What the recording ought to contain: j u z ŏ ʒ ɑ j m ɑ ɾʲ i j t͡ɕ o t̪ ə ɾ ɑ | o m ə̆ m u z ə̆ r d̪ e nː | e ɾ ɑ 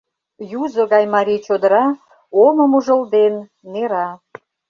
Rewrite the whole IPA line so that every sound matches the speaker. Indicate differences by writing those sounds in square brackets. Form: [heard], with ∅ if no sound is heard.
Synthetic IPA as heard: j u z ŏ [ɣ] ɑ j m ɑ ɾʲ i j t͡ɕ o [d̪] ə ɾ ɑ | o m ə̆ m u [ʒ] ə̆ [l] d̪ e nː | e ɾ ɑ